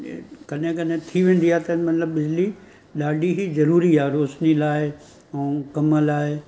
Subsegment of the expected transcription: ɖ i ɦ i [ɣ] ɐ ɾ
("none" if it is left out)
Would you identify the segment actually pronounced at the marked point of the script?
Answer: z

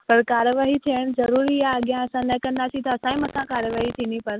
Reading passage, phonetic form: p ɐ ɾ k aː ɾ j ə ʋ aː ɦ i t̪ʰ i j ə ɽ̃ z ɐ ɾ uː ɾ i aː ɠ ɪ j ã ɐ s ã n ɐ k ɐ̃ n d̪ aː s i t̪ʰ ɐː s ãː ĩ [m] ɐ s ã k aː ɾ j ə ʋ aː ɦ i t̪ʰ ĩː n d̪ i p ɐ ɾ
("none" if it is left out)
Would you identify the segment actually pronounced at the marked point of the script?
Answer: m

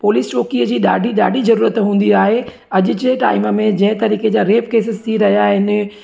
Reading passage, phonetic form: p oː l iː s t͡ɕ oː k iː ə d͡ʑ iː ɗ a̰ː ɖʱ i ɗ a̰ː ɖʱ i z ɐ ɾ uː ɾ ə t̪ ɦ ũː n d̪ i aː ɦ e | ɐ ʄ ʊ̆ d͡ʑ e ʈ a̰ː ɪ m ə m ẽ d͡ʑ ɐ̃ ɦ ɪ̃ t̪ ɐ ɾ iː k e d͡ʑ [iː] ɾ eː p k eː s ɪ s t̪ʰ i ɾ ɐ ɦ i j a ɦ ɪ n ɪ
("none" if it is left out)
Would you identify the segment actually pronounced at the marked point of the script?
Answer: aː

